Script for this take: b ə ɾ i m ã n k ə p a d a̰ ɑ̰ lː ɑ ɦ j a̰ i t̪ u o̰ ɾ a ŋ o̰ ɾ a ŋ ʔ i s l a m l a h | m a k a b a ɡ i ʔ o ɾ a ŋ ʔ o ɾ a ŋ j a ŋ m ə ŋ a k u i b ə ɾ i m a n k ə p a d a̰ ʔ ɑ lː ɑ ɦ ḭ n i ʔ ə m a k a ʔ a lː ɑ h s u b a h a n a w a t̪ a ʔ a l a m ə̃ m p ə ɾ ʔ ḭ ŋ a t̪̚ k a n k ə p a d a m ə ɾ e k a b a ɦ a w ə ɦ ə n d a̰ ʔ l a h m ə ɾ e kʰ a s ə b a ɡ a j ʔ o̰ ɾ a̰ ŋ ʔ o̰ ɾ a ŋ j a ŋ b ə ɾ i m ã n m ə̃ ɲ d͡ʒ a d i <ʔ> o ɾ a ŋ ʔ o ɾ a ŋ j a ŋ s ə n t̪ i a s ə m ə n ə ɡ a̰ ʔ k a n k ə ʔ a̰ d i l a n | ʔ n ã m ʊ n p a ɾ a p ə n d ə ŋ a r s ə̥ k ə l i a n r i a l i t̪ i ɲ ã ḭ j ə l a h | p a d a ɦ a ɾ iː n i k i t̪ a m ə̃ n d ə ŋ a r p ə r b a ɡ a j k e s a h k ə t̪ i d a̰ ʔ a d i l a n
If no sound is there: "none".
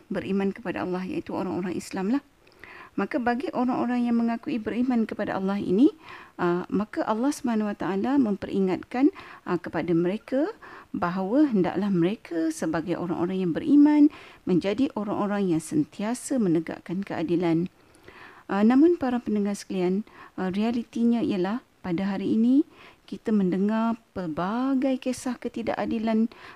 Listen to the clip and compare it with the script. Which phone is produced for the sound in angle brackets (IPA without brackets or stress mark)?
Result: ʔ